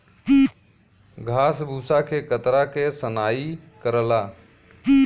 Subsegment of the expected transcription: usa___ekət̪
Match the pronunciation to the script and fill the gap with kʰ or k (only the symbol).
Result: kʰ